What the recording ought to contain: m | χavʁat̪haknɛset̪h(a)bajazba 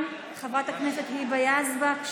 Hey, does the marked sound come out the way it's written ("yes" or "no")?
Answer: no